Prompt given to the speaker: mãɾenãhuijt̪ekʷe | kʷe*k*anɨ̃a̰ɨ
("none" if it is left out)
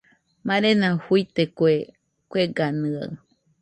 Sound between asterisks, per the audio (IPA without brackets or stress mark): ɡ